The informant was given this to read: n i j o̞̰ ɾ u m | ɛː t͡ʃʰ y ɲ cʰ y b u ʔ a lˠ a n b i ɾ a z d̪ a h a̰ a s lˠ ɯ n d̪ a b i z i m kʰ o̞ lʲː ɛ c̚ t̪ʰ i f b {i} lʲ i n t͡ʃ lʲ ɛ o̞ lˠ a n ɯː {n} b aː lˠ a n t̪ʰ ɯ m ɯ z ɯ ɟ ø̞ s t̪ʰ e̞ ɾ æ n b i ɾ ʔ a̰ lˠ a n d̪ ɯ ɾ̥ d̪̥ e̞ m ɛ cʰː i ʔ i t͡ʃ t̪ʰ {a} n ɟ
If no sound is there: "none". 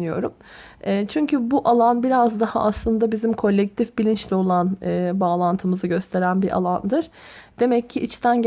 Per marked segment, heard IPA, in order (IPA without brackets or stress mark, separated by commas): i, none, æ